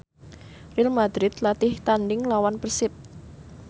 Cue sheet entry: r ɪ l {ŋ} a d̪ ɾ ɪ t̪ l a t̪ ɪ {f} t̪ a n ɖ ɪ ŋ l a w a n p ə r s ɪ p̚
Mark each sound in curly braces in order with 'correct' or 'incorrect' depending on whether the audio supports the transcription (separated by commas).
incorrect, incorrect